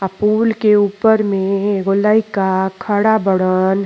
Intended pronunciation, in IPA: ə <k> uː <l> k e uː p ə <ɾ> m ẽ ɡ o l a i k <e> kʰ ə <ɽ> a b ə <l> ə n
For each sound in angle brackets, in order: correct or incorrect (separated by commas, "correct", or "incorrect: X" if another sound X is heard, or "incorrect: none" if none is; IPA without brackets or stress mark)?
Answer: incorrect: p, correct, correct, incorrect: a, correct, incorrect: ɽ